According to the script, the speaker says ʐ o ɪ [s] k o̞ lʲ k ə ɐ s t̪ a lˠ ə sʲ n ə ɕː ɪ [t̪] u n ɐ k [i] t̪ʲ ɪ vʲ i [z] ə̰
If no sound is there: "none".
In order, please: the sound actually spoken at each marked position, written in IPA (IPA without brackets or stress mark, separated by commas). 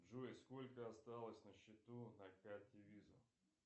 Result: s, t̪, a, z